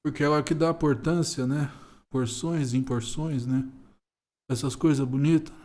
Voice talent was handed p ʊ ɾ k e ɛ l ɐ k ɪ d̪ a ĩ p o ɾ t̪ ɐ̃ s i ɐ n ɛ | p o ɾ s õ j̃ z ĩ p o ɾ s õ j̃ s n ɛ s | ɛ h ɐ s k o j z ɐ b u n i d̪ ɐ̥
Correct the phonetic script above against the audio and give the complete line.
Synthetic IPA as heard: p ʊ ɾ k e ɛ l ɐ k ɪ d̪ a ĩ p o ɾ t̪ ɐ̃ s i ɐ n ɛ | p o ɾ s õ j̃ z ĩ p o ɾ s õ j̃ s n ɛ | ɛ s ɐ s k o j z ɐ b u n i t̪ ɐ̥